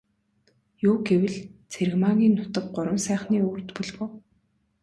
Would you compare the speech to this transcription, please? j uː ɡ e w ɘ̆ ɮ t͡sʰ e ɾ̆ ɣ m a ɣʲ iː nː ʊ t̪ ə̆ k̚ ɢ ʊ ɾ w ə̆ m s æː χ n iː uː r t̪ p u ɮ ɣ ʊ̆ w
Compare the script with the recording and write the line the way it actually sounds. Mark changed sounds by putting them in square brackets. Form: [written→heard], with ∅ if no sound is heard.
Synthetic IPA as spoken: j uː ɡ e w ɘ̆ ɮ t͡sʰ e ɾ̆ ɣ m a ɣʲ iː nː ʊ t̪ ə̆ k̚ ɢ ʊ ɾ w ə̆ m s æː χ n iː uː r t̪ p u ɮ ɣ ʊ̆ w

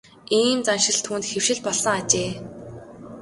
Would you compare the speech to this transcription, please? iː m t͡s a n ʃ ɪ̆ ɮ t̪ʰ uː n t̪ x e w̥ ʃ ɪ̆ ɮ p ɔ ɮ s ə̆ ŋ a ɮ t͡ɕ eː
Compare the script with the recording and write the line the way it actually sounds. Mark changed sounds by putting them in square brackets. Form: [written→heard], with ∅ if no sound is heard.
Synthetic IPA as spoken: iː m t͡s a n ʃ ɪ̆ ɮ t̪ʰ uː n t̪ x e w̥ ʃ ɪ̆ ɮ p ɔ ɮ s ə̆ ŋ a [ɮ→∅] t͡ɕ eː

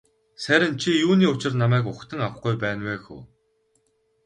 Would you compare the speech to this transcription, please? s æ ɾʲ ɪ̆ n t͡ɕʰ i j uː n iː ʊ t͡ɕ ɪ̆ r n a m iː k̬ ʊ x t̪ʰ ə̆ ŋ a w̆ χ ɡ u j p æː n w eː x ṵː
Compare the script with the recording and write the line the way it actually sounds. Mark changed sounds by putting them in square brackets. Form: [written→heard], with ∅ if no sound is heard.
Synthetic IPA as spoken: s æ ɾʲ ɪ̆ n t͡ɕʰ i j uː n iː ʊ t͡ɕ ɪ̆ r n a m [iː→æː] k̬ ʊ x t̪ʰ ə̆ ŋ a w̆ χ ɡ u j p æː n w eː x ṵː

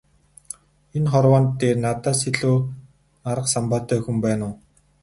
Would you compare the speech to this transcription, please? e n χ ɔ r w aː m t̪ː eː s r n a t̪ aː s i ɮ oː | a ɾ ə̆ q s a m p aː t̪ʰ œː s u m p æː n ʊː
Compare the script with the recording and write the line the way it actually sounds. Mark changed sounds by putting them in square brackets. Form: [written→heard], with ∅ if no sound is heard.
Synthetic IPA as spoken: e n χ ɔ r w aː [m→n] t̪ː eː [s→∅] r n a t̪ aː s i ɮ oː | a ɾ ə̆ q s a m p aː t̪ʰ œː [s→x] u m p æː n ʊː

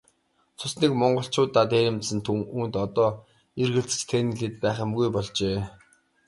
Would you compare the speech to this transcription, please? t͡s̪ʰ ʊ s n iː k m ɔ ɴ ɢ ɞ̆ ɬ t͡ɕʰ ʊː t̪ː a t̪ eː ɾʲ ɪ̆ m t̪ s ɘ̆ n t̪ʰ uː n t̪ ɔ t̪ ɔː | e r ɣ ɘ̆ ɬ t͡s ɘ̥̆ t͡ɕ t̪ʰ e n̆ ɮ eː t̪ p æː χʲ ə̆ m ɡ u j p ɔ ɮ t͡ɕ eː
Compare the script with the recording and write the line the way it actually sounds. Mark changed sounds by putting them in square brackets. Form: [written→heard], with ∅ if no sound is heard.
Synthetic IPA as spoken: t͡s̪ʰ ʊ s n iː k m ɔ ɴ ɢ ɞ̆ ɬ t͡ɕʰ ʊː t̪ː a t̪ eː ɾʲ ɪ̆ m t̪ s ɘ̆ n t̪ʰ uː n t̪ ɔ t̪ ɔː | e r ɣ ɘ̆ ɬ t͡s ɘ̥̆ t͡ɕ t̪ʰ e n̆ ɮ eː t̪ p æː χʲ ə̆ m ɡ u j p ɔ ɮ t͡ɕ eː

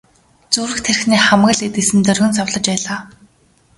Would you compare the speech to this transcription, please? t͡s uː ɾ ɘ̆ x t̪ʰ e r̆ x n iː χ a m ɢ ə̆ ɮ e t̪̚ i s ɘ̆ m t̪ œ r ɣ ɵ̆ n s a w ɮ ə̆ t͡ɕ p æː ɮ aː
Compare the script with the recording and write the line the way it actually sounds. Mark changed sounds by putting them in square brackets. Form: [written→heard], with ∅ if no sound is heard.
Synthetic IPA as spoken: t͡s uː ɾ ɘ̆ x t̪ʰ e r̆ x n iː χ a m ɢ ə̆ ɮ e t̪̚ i s ɘ̆ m t̪ œ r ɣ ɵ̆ n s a w ɮ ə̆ t͡ɕ p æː ɮ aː

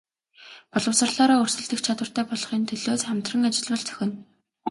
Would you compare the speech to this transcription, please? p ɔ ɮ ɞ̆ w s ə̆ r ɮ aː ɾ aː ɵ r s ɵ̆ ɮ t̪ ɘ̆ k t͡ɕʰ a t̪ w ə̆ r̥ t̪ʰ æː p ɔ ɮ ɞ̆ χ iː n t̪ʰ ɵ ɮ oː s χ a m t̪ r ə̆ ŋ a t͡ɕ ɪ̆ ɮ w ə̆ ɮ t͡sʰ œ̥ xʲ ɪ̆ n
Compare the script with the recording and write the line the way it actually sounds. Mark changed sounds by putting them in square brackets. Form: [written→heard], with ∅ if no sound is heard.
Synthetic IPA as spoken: p ɔ ɮ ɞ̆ w s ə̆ r ɮ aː ɾ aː ɵ r s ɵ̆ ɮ t̪ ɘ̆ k t͡ɕʰ a t̪ w ə̆ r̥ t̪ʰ æː p ɔ ɮ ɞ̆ χ iː n t̪ʰ ɵ ɮ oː s χ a m t̪ r ə̆ ŋ a t͡ɕ ɪ̆ ɮ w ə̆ ɮ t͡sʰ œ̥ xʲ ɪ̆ n

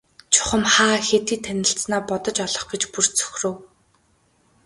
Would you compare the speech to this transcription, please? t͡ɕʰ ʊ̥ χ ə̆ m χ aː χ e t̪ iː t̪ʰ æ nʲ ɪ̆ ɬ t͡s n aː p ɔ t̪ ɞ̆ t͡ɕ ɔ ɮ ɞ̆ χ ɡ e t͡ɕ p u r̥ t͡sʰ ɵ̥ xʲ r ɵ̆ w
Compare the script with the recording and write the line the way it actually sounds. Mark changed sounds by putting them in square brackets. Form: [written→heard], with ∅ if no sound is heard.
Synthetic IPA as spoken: t͡ɕʰ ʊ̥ χ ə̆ m χ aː [χ→x] e t̪ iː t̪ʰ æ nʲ ɪ̆ ɬ t͡s n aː p ɔ t̪ ɞ̆ t͡ɕ ɔ ɮ ɞ̆ χ ɡ e t͡ɕ p u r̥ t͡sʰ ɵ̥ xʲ r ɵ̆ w

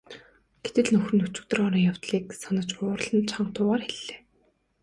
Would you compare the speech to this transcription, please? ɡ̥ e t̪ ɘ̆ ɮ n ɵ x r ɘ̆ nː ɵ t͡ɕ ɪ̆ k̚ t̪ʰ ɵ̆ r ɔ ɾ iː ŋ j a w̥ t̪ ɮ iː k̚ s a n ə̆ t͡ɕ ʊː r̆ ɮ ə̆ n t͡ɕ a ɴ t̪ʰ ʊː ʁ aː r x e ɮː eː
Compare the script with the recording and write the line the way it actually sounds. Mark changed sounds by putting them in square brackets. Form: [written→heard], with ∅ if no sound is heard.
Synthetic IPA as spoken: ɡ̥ e t̪ ɘ̆ ɮ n ɵ x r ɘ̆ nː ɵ t͡ɕ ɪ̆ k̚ [t̪ʰ→t̪] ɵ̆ r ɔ ɾ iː ŋ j a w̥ t̪ ɮ iː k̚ s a n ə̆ t͡ɕ ʊː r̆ ɮ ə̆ n [t͡ɕ→t͡ɕʰ] a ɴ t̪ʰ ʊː ʁ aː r x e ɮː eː

